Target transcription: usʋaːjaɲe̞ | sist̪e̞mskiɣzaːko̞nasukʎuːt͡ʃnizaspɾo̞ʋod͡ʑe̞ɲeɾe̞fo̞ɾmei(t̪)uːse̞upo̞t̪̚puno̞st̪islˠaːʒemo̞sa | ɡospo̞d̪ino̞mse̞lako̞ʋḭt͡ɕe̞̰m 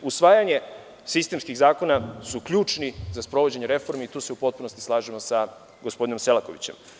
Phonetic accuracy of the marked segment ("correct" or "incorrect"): correct